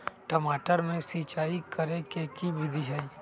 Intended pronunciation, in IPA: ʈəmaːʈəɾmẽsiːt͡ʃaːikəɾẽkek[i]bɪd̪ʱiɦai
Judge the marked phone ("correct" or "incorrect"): correct